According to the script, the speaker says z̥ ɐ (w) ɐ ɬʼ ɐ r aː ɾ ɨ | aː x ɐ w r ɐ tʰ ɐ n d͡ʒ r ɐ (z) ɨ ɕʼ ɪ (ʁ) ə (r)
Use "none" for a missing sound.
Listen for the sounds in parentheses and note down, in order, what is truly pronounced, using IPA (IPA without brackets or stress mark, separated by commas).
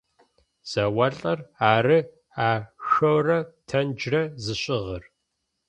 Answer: w, z, ʁ, r